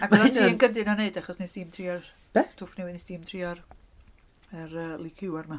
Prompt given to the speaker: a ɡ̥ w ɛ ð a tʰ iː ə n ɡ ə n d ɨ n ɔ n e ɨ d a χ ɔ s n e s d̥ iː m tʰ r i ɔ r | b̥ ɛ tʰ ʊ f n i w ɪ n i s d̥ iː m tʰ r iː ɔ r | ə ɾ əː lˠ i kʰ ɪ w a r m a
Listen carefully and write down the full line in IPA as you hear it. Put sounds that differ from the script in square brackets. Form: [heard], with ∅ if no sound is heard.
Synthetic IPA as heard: a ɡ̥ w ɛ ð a tʰ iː ə n ɡ ə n d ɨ n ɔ n e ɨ d a χ ɔ s n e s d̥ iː m tʰ r i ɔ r | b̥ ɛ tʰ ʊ f n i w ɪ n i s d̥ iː m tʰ r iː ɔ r | ə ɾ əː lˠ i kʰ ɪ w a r m a